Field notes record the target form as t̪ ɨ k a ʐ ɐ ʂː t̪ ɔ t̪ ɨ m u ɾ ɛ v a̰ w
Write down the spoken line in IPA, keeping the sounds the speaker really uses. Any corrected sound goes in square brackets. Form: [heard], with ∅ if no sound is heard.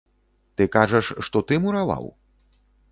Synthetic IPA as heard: t̪ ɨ k a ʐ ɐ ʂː t̪ ɔ t̪ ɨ m u ɾ [a] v a̰ w